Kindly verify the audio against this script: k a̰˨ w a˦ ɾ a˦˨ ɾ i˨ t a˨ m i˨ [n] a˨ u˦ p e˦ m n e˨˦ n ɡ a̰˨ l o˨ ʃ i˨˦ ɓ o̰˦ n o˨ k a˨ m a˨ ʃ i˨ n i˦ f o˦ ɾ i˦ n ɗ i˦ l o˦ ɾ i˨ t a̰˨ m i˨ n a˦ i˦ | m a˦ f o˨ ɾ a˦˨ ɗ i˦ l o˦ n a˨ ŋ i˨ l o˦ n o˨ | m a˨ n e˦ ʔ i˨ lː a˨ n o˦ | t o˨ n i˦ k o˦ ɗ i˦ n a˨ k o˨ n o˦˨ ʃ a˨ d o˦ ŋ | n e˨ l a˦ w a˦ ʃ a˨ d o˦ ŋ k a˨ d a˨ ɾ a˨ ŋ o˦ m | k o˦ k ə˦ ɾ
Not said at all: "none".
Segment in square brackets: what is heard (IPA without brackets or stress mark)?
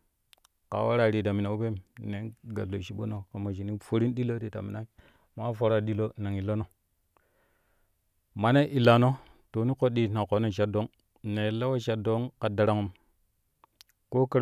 n